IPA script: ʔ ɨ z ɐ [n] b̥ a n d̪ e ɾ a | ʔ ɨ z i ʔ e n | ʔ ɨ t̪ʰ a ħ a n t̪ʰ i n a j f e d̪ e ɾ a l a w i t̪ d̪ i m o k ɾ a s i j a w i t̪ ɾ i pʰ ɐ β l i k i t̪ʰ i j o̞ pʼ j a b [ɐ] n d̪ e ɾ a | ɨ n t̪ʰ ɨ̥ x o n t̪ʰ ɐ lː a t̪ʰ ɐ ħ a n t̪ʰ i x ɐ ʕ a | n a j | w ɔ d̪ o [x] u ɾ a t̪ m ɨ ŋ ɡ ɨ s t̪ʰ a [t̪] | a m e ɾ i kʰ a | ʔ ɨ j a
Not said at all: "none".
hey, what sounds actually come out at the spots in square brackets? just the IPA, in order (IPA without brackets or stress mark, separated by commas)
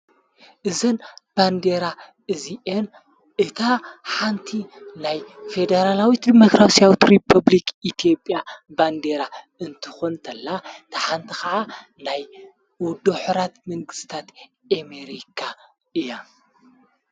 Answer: n, a, ħ, t̪